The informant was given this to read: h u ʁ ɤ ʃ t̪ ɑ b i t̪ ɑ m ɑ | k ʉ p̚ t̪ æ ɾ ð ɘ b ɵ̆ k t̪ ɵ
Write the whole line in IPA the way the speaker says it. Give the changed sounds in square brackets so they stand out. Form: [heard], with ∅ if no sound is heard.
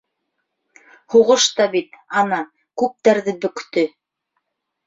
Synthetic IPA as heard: h u ʁ ɤ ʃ t̪ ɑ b i t̪ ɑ [n] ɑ | k ʉ p̚ t̪ æ ɾ ð ɘ b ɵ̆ k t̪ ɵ